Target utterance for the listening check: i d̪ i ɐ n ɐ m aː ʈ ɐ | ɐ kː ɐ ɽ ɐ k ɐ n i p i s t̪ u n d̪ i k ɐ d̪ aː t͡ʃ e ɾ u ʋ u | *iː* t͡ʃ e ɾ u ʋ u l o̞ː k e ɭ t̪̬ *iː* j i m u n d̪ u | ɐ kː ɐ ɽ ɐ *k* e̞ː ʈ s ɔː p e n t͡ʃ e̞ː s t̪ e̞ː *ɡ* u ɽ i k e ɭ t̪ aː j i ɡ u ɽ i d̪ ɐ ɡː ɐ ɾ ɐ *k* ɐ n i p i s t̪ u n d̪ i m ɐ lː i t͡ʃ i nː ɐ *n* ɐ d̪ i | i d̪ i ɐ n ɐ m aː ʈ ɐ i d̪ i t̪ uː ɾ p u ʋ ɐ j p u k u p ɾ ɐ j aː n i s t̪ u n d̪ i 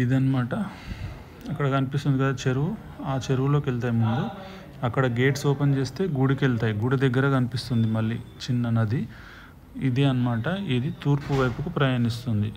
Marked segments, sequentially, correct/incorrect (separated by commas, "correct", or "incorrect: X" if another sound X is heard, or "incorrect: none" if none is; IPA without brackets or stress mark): incorrect: aː, incorrect: aː, incorrect: ɡ, correct, correct, correct